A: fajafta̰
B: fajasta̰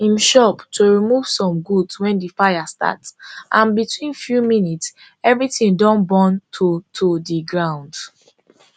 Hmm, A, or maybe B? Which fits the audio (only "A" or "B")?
B